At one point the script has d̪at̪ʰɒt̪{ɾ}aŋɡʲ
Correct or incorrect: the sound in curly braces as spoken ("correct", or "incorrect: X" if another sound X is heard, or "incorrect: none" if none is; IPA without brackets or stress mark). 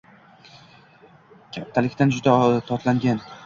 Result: incorrect: l